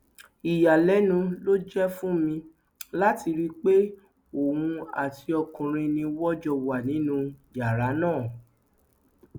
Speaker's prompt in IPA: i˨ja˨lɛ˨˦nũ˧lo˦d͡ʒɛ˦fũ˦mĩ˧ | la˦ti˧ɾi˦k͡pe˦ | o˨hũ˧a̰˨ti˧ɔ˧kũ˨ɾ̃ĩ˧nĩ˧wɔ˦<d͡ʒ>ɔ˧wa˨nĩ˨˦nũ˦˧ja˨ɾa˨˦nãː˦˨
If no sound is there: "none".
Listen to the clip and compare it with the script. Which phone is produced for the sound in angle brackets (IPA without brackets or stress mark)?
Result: d͡ʒ